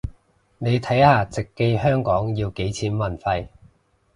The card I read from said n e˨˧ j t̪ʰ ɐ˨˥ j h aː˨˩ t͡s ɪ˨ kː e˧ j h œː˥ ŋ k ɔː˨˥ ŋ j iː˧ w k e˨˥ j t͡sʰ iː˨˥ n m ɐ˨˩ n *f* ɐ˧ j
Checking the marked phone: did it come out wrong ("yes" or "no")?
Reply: no